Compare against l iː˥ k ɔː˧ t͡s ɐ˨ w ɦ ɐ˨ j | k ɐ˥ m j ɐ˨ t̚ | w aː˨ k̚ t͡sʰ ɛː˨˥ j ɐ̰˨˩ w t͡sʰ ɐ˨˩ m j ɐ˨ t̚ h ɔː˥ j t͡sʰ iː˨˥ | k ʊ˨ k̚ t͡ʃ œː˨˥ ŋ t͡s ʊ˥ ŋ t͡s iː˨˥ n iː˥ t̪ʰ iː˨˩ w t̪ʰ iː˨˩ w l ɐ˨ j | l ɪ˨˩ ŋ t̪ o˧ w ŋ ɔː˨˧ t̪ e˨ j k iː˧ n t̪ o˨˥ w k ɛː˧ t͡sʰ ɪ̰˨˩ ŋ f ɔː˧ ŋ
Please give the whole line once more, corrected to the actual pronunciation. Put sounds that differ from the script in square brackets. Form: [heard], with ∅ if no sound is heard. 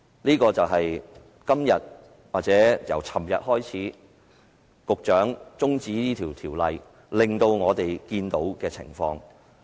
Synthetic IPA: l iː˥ k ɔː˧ t͡s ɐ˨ w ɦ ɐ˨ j | k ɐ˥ m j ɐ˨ t̚ | w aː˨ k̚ [t͡s] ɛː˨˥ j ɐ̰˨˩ w t͡sʰ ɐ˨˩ m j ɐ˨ t̚ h ɔː˥ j t͡sʰ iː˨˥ | k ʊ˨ k̚ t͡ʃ œː˨˥ ŋ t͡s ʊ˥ ŋ t͡s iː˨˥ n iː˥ t̪ʰ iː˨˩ w t̪ʰ iː˨˩ w l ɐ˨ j | l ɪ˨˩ ŋ t̪ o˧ w ŋ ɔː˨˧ t̪ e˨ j k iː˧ n t̪ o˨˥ w k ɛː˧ t͡sʰ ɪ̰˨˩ ŋ f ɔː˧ ŋ